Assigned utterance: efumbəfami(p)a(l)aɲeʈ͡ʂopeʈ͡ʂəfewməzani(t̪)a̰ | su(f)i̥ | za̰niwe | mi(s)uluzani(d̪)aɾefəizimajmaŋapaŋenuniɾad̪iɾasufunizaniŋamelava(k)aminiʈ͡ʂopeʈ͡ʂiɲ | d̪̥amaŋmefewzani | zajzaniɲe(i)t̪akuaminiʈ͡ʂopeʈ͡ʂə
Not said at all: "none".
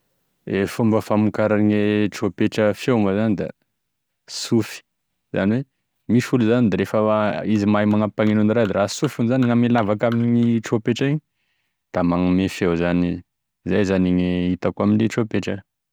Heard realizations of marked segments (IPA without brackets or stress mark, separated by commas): k, ɾ, d̪, f, f, d̪, k, i